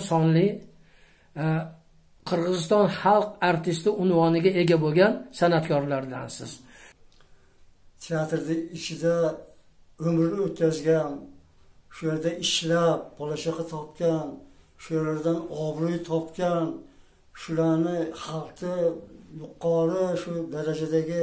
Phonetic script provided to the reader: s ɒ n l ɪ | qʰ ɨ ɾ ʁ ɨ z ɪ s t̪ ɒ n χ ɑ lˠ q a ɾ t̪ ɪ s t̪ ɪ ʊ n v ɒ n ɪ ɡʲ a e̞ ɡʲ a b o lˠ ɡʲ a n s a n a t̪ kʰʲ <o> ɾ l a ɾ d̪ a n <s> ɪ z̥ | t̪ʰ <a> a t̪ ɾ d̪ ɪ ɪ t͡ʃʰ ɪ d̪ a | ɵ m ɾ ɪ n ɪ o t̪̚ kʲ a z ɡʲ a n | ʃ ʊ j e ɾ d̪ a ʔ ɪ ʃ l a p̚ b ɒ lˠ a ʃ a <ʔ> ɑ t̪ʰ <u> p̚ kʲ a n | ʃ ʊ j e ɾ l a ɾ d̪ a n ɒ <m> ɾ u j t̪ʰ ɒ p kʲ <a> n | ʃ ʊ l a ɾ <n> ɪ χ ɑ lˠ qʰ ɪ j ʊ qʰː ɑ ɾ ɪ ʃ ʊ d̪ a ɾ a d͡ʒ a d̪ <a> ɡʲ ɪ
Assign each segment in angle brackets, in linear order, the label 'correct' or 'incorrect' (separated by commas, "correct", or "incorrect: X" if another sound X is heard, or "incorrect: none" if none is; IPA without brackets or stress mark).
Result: incorrect: ɒ, correct, incorrect: e, incorrect: q, incorrect: ɒ, incorrect: b, correct, correct, correct